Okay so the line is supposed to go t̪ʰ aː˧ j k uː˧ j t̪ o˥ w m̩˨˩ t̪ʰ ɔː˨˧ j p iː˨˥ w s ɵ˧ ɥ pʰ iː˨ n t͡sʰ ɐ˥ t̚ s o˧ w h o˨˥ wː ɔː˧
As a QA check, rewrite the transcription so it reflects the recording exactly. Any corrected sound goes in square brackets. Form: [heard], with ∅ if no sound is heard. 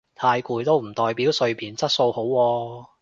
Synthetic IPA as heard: t̪ʰ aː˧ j k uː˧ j t̪ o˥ w m̩˨˩ [t̪] ɔː˨˧ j p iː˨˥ w s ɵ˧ ɥ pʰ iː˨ n [t͡s] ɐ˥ t̚ s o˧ w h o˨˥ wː ɔː˧

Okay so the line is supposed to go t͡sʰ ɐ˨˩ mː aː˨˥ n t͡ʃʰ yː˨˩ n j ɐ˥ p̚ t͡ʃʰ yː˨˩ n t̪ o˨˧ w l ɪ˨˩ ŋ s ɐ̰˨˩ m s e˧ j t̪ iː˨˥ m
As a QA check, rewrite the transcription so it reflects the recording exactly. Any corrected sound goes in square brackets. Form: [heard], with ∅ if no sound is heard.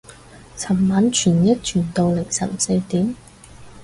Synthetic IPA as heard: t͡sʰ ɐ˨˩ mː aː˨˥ n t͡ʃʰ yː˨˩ n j ɐ˥ [t̚] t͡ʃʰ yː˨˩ n t̪ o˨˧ w l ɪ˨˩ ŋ s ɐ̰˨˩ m s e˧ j t̪ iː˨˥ m

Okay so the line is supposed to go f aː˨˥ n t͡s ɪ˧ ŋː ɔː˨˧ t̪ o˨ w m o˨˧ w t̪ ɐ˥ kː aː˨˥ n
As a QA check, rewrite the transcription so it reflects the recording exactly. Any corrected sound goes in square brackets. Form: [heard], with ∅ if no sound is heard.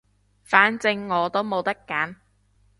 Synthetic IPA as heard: f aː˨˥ n t͡s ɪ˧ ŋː ɔː˨˧ t̪ [o˥] w m o˨˧ w t̪ ɐ˥ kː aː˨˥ n

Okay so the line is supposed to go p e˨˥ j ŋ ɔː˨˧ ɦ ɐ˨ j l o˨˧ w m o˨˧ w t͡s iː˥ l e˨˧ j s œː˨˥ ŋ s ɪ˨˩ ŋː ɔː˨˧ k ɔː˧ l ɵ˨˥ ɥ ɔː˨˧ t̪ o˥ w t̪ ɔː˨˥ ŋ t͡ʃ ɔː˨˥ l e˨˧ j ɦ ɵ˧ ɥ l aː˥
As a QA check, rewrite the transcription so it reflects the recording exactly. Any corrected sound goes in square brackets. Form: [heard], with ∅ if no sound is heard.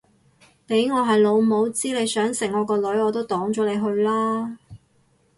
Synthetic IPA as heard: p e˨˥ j ŋ ɔː˨˧ ɦ ɐ˨ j l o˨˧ w m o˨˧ w t͡s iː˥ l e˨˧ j s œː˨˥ ŋ s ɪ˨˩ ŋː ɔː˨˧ k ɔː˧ l ɵ˨˥ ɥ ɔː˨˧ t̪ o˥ w t̪ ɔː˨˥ ŋ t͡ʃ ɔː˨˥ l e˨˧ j ɦ ɵ˧ ɥ l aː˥

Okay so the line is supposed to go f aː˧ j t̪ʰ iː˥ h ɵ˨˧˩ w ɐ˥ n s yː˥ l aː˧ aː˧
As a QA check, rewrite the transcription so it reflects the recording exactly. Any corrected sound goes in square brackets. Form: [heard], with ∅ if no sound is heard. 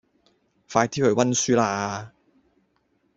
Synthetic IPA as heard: f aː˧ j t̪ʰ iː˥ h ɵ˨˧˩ w ɐ˥ n s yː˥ l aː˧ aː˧

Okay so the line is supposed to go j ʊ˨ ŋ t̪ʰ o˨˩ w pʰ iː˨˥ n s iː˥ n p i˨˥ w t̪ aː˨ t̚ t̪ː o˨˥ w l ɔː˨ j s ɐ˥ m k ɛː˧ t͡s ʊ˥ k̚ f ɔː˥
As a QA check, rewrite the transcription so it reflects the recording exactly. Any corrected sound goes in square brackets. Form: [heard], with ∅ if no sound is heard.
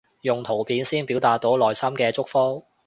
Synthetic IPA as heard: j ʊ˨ ŋ t̪ʰ o˨˩ w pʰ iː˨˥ n s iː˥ n p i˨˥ w t̪ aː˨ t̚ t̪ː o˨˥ w l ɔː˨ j s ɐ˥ m k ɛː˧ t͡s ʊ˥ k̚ f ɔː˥

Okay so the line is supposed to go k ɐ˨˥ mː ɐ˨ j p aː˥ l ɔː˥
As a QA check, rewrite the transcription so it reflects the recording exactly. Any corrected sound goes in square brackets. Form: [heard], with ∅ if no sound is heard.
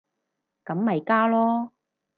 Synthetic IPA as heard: k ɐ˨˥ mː ɐ˨ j [k] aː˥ l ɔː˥

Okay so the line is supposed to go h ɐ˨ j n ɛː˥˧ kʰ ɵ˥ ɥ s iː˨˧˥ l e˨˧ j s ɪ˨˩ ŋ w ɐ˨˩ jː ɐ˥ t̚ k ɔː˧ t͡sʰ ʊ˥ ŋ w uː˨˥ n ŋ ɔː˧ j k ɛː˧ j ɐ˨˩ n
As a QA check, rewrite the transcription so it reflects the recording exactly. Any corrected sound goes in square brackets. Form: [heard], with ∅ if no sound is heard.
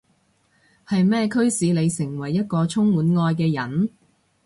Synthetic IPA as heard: h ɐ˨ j [m] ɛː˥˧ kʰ ɵ˥ ɥ s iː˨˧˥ l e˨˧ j s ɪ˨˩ ŋ w ɐ˨˩ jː ɐ˥ t̚ k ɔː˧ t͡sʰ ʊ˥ ŋ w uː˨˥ n ŋ ɔː˧ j k ɛː˧ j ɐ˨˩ n

